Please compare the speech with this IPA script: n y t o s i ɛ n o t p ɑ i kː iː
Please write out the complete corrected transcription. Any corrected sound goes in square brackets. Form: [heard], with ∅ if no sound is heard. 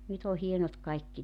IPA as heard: n y t o [h] i [e] n o t [k] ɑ i kː [i]